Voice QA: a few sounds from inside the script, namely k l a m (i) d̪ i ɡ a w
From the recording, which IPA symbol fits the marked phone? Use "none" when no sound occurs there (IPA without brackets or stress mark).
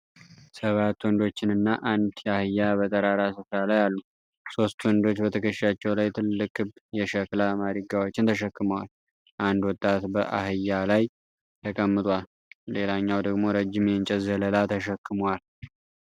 a